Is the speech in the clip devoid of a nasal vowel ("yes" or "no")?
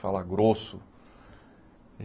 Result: yes